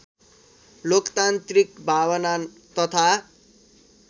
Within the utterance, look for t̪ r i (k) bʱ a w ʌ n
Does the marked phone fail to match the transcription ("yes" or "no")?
no